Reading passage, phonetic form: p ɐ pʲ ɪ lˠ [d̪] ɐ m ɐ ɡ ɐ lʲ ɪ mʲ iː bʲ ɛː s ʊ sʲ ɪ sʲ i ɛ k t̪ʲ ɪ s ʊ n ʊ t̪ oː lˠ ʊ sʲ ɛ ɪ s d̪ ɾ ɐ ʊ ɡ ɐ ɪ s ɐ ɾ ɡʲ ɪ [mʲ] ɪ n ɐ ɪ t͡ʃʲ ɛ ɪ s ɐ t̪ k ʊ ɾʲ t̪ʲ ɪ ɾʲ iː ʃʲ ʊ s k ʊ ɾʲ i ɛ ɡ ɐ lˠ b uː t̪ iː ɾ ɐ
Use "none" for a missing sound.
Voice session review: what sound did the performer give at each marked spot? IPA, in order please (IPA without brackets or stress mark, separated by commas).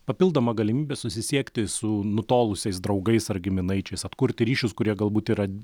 d̪, mʲ